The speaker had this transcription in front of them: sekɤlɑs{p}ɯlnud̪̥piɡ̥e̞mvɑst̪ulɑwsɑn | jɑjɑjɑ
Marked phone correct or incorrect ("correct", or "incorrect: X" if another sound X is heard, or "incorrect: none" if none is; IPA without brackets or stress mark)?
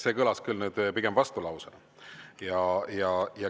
incorrect: k